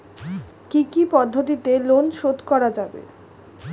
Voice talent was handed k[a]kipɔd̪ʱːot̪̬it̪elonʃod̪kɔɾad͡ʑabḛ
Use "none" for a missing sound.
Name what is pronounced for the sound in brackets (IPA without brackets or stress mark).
i